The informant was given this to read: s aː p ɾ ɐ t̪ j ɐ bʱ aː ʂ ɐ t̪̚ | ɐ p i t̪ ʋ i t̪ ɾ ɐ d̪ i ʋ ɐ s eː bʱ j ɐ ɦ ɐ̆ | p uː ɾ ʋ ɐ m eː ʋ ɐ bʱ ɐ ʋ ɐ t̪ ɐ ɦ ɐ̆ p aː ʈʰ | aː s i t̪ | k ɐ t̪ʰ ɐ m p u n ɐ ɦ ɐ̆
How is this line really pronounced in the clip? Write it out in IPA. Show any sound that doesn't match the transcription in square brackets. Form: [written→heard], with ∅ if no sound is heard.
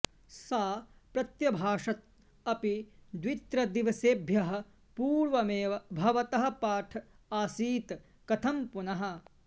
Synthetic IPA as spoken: s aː p ɾ ɐ t̪ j ɐ bʱ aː ʂ ɐ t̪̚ | ɐ p i [t̪→d̪] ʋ i t̪ ɾ ɐ d̪ i ʋ ɐ s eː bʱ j ɐ ɦ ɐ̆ | p uː ɾ ʋ ɐ m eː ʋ ɐ bʱ ɐ ʋ ɐ t̪ ɐ ɦ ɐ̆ p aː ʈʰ | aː s [i→iː] t̪ | k ɐ t̪ʰ ɐ m p u n ɐ ɦ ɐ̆

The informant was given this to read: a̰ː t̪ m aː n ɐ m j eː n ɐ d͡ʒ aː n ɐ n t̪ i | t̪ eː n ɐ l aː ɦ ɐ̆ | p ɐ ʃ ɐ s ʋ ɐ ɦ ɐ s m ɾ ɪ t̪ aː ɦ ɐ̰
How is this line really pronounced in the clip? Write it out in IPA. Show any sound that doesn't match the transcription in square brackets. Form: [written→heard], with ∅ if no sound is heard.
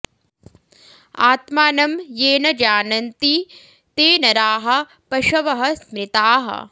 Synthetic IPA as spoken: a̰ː t̪ m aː n ɐ m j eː n ɐ d͡ʒ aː n ɐ n t̪ i | t̪ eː n ɐ [l→ɾ] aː ɦ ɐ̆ | p ɐ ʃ ɐ [s→∅] ʋ ɐ ɦ ɐ s m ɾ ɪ t̪ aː ɦ ɐ̰

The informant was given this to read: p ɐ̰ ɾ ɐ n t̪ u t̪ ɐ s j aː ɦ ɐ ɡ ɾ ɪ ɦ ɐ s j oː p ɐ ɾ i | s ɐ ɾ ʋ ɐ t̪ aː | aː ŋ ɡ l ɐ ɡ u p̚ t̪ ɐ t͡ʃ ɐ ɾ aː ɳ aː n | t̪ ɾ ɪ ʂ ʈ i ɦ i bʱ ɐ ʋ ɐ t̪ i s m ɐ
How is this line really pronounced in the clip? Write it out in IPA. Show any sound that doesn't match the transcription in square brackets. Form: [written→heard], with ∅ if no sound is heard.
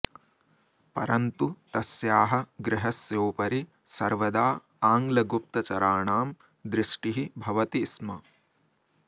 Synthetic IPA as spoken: p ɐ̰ ɾ ɐ n t̪ u t̪ ɐ s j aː ɦ ɐ ɡ ɾ ɪ ɦ ɐ s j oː p ɐ ɾ i | s ɐ ɾ ʋ ɐ [t̪→d̪] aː | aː ŋ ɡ l ɐ ɡ u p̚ t̪ ɐ t͡ʃ ɐ ɾ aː ɳ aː [n→m] | [t̪→d̪] ɾ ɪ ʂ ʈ i ɦ i bʱ ɐ ʋ ɐ t̪ i s m ɐ

